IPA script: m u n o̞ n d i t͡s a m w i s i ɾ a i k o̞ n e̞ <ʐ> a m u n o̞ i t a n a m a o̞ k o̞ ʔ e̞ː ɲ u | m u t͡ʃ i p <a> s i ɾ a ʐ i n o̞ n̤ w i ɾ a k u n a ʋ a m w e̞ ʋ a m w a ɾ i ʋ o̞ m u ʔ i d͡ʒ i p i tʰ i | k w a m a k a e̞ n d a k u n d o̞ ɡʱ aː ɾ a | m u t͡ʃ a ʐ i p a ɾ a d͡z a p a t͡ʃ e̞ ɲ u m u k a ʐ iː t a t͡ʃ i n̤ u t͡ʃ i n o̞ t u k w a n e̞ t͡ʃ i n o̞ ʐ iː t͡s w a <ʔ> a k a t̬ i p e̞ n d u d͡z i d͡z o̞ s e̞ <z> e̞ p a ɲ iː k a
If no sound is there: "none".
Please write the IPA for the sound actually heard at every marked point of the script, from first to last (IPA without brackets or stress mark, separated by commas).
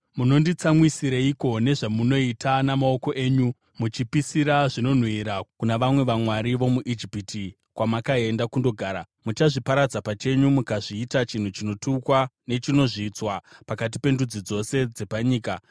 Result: ʐ, i, p, d͡z